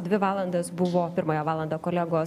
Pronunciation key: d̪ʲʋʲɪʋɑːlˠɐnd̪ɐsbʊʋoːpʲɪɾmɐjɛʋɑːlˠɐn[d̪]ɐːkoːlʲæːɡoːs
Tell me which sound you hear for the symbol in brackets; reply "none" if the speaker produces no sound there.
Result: d̪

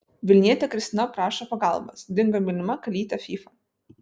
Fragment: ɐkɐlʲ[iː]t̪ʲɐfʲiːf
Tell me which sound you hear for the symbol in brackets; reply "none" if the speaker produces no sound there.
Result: iː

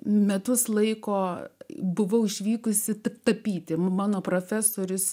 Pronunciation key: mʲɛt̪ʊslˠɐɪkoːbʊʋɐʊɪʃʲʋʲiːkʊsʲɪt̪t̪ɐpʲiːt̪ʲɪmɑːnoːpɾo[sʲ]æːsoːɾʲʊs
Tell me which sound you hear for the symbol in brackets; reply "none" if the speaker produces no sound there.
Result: fʲ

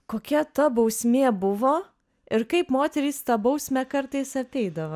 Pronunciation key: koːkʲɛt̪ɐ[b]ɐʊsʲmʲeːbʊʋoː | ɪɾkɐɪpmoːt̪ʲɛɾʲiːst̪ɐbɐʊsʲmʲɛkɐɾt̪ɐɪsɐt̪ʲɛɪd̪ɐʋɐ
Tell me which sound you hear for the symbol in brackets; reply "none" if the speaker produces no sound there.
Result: b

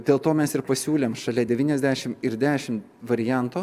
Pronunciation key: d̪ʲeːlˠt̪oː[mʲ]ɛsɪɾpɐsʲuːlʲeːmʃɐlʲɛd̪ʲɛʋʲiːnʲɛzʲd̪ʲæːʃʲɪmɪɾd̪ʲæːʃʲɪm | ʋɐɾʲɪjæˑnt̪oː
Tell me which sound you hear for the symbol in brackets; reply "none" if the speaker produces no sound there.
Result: mʲ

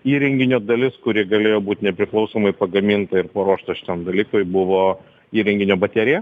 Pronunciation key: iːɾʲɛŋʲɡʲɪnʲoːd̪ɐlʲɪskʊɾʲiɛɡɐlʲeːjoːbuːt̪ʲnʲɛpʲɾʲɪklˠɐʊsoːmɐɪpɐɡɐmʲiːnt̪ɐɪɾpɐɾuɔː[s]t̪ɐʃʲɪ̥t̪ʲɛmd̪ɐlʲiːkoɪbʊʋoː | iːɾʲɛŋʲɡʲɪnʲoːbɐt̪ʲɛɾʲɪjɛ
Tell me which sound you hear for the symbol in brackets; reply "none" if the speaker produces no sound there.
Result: ʃ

